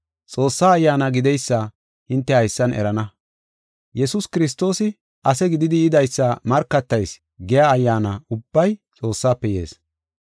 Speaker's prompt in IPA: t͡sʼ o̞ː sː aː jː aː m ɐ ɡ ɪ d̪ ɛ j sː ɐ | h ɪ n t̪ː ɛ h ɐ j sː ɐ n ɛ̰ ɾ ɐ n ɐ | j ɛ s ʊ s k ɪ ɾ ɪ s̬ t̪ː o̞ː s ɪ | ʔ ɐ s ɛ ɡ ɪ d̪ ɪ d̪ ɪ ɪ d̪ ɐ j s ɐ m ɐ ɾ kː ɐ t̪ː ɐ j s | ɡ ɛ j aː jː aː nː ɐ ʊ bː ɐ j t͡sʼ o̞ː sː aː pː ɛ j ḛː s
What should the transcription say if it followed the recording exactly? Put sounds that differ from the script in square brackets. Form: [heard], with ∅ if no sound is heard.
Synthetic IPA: t͡sʼ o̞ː sː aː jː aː [n] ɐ ɡ ɪ d̪ ɛ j sː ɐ | h ɪ n t̪ː ɛ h ɐ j sː ɐ n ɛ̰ ɾ ɐ n ɐ | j ɛ s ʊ s k ɪ ɾ ɪ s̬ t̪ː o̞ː s ɪ | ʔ ɐ s ɛ ɡ ɪ d̪ ɪ d̪ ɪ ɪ d̪ ɐ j [sː] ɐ m ɐ ɾ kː ɐ t̪ː ɐ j s | ɡ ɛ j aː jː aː [n] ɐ ʊ bː ɐ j t͡sʼ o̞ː sː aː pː ɛ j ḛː s

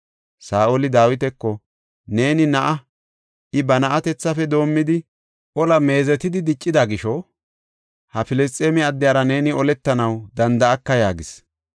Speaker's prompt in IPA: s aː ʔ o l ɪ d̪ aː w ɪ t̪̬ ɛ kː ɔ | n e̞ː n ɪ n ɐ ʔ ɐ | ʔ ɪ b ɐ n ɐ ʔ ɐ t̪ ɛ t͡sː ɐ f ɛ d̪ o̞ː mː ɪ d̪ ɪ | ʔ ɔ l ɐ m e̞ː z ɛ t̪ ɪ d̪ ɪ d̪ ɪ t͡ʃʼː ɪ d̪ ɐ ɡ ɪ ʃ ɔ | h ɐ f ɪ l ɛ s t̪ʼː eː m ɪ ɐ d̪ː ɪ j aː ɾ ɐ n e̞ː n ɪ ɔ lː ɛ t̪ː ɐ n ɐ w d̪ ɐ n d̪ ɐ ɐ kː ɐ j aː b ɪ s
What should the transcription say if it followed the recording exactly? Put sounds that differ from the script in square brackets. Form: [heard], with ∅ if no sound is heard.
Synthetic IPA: s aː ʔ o l ɪ d̪ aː w ɪ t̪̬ ɛ kː ɔ | n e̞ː n ɪ n ɐ ʔ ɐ | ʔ ɪ b ɐ n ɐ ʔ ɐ t̪ ɛ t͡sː ɐ f ɛ d̪ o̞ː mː ɪ d̪ ɪ | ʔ ɔ l ɐ m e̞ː z ɛ t̪ ɪ d̪ ɪ d̪ ɪ t͡ʃʼː ɪ d̪ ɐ ɡ ɪ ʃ ɔ | h ɐ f ɪ l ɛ s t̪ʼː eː m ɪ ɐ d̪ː ɪ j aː ɾ ɐ n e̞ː n ɪ ɔ [l] ɛ t̪ː ɐ n ɐ w d̪ ɐ n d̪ ɐ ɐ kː ɐ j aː [ɡ] ɪ s

